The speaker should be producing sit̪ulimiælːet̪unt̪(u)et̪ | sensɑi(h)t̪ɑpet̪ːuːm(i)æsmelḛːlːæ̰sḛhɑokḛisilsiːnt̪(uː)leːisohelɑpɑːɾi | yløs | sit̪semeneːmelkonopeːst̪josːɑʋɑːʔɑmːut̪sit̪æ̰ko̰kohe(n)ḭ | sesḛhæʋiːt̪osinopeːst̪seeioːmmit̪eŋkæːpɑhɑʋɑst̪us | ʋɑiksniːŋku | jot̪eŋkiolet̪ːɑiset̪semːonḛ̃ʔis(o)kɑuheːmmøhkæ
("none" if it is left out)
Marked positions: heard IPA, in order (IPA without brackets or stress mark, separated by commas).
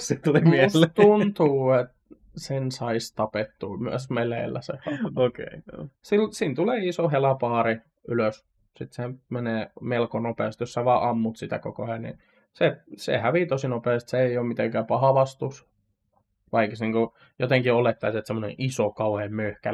uː, s, y, u, n, o